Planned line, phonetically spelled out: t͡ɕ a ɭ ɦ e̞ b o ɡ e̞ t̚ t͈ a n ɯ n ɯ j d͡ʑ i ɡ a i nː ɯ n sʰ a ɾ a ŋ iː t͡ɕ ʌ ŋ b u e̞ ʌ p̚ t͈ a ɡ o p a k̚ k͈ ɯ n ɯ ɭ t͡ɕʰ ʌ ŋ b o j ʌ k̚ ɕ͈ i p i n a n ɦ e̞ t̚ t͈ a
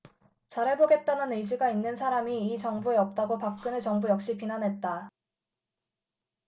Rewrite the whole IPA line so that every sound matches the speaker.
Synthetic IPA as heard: t͡ɕ a ɾ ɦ e̞ b o ɡ e̞ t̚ t͈ a n ɯ n ɯ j d͡ʑ i ɡ a i nː ɯ n sʰ a ɾ a m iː t͡ɕ ʌ ŋ b u e̞ ʌ p̚ t͈ a ɡ o p a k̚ k͈ ɯ n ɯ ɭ t͡ɕ ʌ ŋ b u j ʌ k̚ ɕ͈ i p i n a n ɦ e̞ t̚ t͈ a